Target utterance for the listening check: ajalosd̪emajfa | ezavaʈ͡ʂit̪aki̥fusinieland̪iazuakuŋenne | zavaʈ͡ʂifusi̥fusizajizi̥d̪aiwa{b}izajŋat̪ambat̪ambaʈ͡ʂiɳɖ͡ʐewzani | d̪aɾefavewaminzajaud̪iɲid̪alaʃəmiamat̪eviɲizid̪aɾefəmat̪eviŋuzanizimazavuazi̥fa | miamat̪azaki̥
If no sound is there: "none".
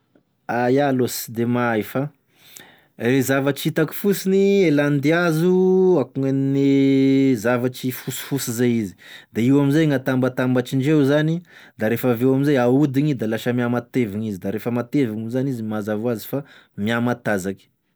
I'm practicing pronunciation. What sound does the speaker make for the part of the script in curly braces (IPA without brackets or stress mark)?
m